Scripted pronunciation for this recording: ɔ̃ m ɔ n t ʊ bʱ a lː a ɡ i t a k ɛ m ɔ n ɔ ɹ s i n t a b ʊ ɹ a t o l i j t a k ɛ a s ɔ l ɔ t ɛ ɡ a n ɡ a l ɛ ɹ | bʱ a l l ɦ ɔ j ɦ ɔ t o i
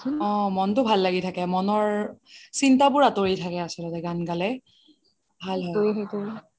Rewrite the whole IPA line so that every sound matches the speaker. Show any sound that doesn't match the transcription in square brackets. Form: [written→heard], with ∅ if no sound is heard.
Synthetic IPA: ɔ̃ m ɔ n t ʊ bʱ a lː a ɡ i [t→tʰ] a k ɛ m ɔ n ɔ ɹ s i n t a b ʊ ɹ a t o [l→ɹ] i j [t→tʰ] a k ɛ a s ɔ l ɔ t ɛ ɡ a n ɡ a l ɛ [ɹ→∅] | bʱ a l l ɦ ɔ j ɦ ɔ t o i